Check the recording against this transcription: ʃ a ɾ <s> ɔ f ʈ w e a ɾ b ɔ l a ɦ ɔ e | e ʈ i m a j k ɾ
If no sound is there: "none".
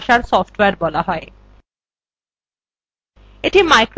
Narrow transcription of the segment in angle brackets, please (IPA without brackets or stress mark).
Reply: s